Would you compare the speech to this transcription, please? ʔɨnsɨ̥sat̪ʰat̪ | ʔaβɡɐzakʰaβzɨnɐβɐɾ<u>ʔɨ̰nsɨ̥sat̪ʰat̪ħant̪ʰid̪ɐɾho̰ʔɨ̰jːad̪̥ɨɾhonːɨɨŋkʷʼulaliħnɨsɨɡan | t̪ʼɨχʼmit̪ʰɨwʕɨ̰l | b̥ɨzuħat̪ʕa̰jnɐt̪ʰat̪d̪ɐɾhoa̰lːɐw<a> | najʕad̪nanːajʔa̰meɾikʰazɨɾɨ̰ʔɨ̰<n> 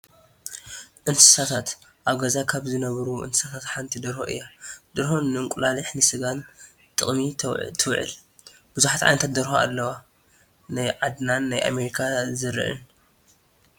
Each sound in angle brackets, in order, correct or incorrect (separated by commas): correct, correct, correct